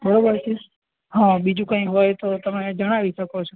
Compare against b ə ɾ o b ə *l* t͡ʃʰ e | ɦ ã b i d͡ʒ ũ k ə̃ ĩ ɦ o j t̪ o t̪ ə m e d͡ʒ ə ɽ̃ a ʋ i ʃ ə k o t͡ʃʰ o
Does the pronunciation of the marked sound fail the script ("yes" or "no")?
yes